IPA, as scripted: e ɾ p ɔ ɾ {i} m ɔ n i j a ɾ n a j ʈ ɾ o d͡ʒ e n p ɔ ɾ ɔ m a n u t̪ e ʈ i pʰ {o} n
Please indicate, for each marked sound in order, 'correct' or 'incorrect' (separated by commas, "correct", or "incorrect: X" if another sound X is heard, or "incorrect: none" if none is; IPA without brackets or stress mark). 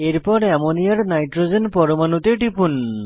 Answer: incorrect: a, incorrect: u